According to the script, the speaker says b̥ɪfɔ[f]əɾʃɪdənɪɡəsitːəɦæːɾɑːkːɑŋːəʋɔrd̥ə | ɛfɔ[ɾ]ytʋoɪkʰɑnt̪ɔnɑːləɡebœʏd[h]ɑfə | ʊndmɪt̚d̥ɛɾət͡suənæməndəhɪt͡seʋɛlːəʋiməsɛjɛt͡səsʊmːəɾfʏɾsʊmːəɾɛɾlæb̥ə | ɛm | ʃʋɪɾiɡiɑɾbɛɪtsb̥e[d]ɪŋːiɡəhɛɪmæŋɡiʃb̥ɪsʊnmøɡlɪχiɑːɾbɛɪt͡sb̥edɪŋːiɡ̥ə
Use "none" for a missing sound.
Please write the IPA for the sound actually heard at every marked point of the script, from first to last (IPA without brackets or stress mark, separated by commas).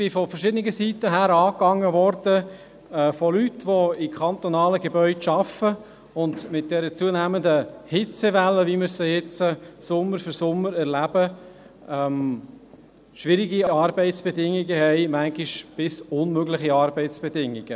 f, l, ʃ, d